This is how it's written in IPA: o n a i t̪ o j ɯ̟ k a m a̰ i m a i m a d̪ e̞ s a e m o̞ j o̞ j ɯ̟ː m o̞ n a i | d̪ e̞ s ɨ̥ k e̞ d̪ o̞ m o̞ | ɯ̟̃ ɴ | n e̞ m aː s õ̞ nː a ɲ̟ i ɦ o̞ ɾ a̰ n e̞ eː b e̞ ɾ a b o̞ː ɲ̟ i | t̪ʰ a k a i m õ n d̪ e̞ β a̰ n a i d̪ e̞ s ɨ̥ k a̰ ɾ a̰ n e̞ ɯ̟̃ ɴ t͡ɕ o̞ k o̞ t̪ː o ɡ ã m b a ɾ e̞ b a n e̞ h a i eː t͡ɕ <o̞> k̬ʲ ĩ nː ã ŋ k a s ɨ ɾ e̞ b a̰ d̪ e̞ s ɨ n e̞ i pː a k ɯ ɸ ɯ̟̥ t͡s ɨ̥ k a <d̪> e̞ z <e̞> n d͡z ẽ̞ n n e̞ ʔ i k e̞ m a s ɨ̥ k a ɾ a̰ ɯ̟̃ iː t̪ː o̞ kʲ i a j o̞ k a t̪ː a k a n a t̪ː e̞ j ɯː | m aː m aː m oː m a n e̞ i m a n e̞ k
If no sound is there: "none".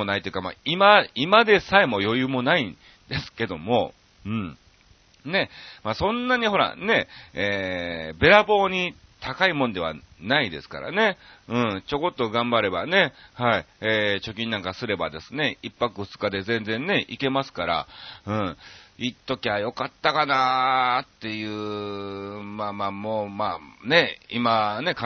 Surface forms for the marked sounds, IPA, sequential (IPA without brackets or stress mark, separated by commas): o̞, d̪, ẽ̞